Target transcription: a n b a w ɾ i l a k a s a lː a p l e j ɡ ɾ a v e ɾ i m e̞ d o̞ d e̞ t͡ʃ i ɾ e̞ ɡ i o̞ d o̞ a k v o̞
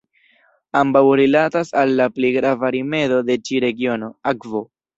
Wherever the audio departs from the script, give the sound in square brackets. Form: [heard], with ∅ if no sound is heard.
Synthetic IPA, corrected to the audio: a [m] b a w ɾ i l a [t] a s a lː a p l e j ɡ ɾ a v [a] ɾ i m e̞ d o̞ d e̞ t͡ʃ i ɾ e̞ ɡ i o̞ [n] o̞ a k v o̞